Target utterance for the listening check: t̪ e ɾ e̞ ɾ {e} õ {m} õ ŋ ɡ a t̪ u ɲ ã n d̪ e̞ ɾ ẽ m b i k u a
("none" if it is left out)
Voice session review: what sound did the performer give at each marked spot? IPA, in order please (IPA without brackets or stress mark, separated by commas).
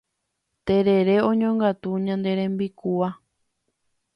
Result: e, ɲ